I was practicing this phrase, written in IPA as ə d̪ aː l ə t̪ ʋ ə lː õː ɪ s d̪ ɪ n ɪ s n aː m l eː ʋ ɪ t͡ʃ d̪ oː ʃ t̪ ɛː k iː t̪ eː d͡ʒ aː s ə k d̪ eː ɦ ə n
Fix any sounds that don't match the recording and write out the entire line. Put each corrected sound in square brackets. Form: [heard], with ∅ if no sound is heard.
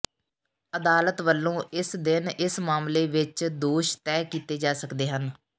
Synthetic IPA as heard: ə d̪ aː l ə t̪ ʋ ə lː õː ɪ s d̪ ɪ n ɪ s [m] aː m l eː ʋ ɪ t͡ʃ d̪ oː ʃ t̪ ɛː k iː t̪ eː d͡ʒ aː s ə k d̪ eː ɦ ə n